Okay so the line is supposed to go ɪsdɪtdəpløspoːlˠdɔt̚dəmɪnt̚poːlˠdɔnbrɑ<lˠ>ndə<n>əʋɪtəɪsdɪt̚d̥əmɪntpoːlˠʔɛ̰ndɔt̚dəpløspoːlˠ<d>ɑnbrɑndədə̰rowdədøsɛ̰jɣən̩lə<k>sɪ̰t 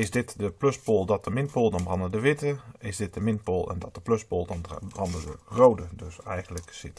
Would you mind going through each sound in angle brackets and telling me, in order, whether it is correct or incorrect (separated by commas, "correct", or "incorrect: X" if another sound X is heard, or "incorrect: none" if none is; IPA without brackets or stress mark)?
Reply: incorrect: none, incorrect: d, correct, correct